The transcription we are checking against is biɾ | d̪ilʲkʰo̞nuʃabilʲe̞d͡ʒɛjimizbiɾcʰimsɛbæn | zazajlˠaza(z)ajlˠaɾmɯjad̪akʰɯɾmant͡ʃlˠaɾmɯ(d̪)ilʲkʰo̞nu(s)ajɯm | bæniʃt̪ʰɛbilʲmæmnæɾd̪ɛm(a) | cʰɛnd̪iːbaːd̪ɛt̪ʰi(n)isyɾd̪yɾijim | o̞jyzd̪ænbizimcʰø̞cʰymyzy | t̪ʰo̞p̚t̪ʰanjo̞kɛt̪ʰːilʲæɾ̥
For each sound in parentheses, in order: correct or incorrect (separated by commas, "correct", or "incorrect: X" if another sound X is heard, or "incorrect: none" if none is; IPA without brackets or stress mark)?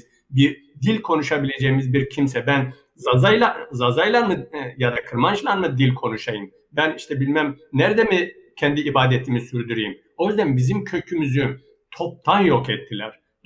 correct, correct, incorrect: ʃ, incorrect: i, incorrect: m